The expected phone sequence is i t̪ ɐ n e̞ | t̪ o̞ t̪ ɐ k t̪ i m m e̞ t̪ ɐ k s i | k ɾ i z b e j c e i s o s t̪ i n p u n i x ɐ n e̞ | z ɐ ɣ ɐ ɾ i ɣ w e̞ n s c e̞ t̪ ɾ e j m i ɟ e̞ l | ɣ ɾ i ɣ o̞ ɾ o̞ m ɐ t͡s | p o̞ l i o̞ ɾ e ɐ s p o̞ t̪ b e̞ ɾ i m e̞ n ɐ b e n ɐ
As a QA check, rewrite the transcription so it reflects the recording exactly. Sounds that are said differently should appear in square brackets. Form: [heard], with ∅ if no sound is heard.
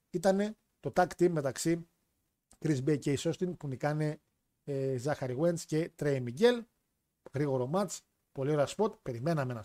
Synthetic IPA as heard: i t̪ ɐ n e̞ | t̪ o̞ t̪ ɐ k t̪ i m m e̞ t̪ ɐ k s i | k ɾ i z b e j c e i s o s t̪ i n p u n i [k] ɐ n e̞ | z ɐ [x] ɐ ɾ i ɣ w e̞ n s c e̞ t̪ ɾ e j m i ɟ e̞ l | ɣ ɾ i ɣ o̞ ɾ o̞ m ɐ t͡s | p o̞ l i o̞ ɾ e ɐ s p o̞ t̪ [p] e̞ ɾ i m e̞ n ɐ [m] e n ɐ